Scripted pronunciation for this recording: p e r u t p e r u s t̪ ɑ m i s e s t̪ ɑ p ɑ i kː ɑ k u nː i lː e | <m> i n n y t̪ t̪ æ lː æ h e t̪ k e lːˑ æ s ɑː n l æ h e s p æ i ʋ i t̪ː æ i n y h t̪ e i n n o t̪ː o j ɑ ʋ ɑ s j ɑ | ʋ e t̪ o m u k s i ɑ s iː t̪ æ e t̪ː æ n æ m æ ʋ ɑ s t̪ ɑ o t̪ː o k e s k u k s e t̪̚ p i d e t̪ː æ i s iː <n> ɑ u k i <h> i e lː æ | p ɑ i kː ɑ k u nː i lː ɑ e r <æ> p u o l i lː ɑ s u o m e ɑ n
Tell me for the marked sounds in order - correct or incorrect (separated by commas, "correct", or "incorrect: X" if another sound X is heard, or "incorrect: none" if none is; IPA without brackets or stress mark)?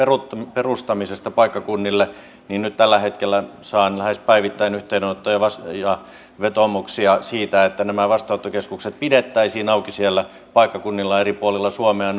incorrect: n, correct, incorrect: s, incorrect: i